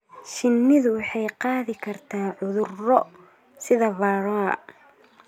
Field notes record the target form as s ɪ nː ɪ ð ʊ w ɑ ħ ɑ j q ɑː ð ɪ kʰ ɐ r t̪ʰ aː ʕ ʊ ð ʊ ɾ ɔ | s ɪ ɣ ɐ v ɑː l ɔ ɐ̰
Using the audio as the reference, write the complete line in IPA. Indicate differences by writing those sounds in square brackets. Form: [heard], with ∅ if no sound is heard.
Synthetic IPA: [ʃ] ɪ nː ɪ ð ʊ w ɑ ħ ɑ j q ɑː ð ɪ kʰ ɐ r t̪ʰ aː ʕ ʊ ð ʊ [r] ɔ | s ɪ [ð] ɐ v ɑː [ɾ] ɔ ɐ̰

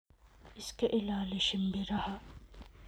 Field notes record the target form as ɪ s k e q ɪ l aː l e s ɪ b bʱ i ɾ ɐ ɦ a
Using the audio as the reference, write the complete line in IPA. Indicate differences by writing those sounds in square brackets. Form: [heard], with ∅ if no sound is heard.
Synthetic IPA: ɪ s k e [ʔ] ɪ l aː l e [ʃ] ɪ [m] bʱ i ɾ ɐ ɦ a

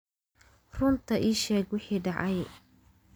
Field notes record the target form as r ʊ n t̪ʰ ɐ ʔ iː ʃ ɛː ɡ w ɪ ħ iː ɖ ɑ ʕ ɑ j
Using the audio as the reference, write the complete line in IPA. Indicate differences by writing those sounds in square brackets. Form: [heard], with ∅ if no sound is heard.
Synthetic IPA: r ʊ n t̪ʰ ɐ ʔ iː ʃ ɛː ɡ w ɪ ħ iː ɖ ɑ ʕ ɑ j

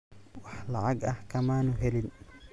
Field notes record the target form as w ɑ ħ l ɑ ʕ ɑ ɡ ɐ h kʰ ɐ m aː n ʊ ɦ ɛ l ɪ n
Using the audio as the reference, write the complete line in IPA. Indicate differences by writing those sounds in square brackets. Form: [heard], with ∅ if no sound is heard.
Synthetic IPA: w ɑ ħ l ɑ ʕ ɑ ɡ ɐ h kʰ ɐ m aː n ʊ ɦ ɛ l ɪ n

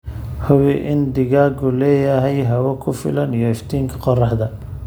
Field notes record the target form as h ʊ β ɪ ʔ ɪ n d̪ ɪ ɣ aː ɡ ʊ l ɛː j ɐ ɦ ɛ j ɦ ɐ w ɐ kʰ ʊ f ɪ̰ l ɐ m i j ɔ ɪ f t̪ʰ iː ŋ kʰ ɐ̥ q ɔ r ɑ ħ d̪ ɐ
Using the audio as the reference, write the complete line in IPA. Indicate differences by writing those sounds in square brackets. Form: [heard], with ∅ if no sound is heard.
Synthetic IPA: h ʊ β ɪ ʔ ɪ n d̪ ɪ ɣ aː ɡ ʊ l ɛː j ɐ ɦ ɛ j ɦ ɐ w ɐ kʰ ʊ f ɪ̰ l ɐ [n] i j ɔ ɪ f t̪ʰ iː ŋ kʰ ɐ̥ q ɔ r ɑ ħ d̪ ɐ

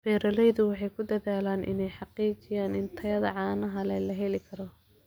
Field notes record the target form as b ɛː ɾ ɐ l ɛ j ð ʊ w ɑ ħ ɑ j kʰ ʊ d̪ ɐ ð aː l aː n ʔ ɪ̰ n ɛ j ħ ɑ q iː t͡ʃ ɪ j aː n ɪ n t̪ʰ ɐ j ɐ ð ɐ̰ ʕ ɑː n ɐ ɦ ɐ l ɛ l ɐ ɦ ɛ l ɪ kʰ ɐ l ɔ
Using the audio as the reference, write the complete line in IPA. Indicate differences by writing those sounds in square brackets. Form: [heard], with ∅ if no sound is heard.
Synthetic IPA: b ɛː ɾ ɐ l ɛ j ð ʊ w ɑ ħ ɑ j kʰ ʊ d̪ ɐ ð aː l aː n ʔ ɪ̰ n ɛ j ħ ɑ q iː t͡ʃ ɪ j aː n ɪ n t̪ʰ ɐ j ɐ ð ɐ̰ ʕ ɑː n ɐ ɦ ɐ l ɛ l ɐ ɦ ɛ l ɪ kʰ ɐ [ɾ] ɔ

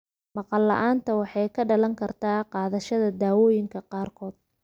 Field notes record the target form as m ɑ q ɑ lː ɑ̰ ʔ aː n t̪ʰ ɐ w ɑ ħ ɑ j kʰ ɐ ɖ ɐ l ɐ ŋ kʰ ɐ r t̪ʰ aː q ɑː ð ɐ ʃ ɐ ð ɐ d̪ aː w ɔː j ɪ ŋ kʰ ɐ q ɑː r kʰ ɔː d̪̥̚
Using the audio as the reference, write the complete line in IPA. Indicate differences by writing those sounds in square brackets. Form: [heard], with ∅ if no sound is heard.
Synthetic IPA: m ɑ q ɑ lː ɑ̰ ʔ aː n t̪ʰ ɐ w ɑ ħ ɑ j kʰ ɐ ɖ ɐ l ɐ ŋ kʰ ɐ r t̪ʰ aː q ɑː ð ɐ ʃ ɐ ð ɐ d̪ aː w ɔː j ɪ ŋ kʰ ɐ q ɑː r kʰ ɔː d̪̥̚

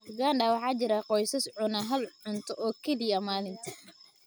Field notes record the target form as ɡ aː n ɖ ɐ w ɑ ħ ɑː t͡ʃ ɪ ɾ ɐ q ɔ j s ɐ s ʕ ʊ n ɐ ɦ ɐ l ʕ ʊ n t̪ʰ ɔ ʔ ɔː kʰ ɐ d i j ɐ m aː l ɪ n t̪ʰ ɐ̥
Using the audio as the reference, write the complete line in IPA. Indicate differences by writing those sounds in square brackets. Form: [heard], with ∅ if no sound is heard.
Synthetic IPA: ɡ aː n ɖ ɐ w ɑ ħ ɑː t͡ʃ ɪ ɾ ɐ q ɔ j s ɐ s ʕ ʊ n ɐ ɦ ɐ l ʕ ʊ n t̪ʰ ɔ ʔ ɔː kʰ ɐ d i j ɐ m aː l ɪ n t̪ʰ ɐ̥

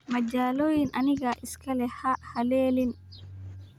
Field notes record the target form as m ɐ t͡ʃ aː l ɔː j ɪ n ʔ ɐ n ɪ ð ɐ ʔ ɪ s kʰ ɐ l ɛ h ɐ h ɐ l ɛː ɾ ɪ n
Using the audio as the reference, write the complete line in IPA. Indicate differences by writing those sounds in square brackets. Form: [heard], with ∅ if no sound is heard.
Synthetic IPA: m ɐ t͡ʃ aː l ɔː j ɪ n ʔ ɐ n ɪ [ɣ] ɐ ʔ ɪ s kʰ ɐ l ɛ h ɐ h ɐ l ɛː [l] ɪ n

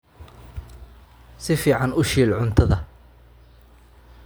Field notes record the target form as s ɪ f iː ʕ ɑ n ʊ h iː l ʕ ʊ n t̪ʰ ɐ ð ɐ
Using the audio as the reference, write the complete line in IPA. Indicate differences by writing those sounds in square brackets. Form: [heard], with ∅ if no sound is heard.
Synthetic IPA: s ɪ f iː ʕ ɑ n ʊ [ʃ] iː l ʕ ʊ n t̪ʰ ɐ ð ɐ

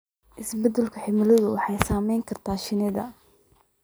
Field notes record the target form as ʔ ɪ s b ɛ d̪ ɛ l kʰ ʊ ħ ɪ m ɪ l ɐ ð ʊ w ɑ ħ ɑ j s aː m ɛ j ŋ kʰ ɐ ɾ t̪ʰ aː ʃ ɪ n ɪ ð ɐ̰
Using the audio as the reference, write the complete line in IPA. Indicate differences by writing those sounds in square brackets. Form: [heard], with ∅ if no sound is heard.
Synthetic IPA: ʔ ɪ s b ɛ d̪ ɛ l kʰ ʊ ħ ɪ m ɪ l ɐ ð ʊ w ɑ ħ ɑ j s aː m ɛ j ŋ kʰ ɐ [r] t̪ʰ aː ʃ ɪ n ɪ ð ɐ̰

